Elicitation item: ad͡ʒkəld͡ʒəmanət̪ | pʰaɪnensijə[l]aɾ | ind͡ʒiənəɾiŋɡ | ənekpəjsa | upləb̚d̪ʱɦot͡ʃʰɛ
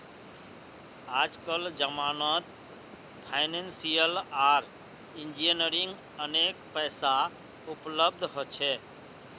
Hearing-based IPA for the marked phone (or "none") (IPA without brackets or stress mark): l